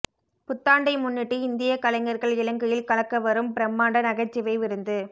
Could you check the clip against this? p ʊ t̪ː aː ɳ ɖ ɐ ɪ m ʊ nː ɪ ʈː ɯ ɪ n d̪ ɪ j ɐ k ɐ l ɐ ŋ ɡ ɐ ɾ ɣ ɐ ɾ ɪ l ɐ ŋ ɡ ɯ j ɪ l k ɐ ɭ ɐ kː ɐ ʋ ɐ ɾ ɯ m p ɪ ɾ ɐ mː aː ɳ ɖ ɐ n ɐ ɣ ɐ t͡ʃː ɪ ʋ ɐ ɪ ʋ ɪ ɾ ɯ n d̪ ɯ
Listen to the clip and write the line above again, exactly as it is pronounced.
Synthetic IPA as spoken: p ʊ t̪ː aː ɳ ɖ ɐ ɪ m ʊ nː ɪ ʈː ɯ ɪ n d̪ ɪ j ɐ k ɐ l ɐ ŋ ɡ ɐ ɾ ɣ ɐ ɭ ɪ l ɐ ŋ ɡ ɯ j ɪ l k ɐ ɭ ɐ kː ɐ ʋ ɐ ɾ ɯ m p ɪ ɾ ɐ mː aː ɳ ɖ ɐ n ɐ ɣ ɐ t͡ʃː ɪ ʋ ɐ ɪ ʋ ɪ ɾ ɯ n d̪ ɯ